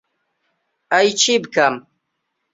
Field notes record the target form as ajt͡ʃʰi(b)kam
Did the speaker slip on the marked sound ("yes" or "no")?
no